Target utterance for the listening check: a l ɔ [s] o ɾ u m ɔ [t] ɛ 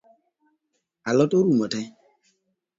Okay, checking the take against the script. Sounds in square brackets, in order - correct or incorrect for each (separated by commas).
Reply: incorrect, correct